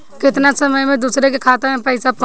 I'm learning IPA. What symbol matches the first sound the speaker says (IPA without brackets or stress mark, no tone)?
k